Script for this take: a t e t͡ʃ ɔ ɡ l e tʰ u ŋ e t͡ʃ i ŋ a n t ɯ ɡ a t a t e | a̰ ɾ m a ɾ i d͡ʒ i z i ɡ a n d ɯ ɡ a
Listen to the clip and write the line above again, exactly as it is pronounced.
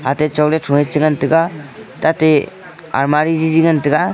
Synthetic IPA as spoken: a t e t͡ʃ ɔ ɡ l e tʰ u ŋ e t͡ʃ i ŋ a n t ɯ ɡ a t a t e | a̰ ɾ m a ɾ i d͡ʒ i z i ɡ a n t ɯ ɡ a